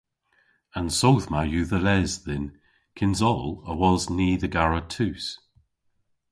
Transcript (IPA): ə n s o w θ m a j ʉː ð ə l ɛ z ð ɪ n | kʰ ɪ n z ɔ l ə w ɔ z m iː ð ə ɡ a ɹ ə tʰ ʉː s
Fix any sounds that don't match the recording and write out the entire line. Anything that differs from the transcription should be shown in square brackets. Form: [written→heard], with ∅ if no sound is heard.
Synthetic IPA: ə n s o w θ m a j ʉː ð ə l ɛ z ð ɪ n | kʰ ɪ n z ɔ l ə w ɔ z [m→n] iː ð ə ɡ a ɹ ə tʰ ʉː s